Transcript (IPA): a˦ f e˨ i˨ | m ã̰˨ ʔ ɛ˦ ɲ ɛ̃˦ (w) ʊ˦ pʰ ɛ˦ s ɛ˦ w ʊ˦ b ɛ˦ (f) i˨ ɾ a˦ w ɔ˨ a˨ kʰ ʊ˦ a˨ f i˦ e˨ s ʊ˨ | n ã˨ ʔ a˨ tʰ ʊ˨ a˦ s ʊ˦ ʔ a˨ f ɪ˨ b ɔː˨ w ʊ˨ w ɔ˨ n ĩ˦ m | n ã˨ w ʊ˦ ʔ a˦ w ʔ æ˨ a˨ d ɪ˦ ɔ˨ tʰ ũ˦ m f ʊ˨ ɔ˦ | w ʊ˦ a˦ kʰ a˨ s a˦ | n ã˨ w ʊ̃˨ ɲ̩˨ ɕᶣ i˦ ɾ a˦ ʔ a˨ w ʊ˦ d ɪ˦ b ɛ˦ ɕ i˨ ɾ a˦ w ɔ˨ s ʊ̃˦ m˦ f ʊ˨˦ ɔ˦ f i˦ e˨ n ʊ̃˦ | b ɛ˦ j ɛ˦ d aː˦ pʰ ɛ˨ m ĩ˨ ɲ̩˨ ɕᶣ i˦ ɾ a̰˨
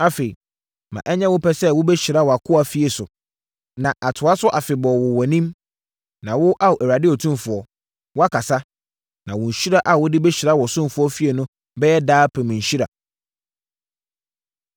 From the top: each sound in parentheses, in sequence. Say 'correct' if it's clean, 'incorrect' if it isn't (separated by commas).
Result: correct, incorrect